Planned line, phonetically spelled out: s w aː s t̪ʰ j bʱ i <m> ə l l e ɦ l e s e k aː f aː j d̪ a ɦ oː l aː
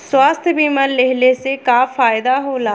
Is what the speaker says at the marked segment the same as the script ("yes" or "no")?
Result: yes